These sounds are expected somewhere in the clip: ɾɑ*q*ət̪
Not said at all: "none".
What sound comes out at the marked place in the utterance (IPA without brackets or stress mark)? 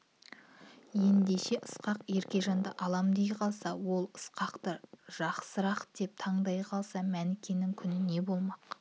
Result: q